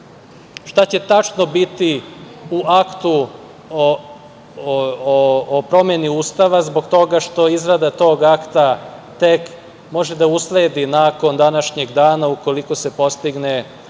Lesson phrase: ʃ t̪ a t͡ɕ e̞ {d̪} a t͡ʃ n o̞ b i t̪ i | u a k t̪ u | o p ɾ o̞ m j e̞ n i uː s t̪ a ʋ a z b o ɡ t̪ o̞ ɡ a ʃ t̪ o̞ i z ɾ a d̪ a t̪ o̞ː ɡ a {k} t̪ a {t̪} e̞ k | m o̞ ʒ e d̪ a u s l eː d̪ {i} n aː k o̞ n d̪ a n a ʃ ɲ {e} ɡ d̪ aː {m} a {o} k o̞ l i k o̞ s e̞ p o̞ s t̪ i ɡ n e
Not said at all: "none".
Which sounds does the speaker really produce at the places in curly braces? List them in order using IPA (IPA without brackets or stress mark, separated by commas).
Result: t̪, k, t̪, i, e, n, u